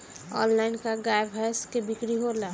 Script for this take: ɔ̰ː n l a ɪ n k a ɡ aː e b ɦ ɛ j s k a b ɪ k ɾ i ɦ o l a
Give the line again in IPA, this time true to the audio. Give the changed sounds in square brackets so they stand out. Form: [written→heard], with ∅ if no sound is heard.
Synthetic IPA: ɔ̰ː n l a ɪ n k a ɡ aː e b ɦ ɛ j s k [a→e] b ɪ k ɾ i ɦ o l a